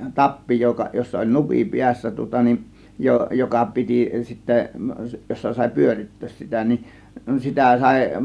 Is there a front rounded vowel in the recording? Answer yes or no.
yes